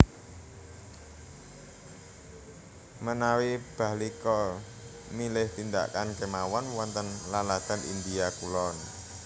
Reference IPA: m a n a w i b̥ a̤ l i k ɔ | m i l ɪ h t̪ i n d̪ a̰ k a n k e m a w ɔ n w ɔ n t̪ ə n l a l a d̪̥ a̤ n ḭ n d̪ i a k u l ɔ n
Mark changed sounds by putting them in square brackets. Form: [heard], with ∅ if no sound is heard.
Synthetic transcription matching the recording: m [ə] n a w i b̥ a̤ l i k ɔ | m i l ɪ h t̪ i n d̪ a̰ k a n k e m a w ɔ n w ɔ n t̪ ə n l a l a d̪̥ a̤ n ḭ n d̪ i a k u l ɔ n